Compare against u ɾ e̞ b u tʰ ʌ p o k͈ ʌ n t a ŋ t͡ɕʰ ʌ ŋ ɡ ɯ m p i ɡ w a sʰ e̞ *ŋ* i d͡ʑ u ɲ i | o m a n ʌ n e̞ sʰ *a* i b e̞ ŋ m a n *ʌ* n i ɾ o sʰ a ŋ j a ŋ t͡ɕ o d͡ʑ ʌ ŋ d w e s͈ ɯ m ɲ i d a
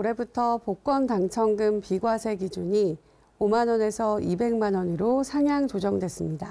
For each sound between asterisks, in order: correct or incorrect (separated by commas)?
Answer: incorrect, incorrect, correct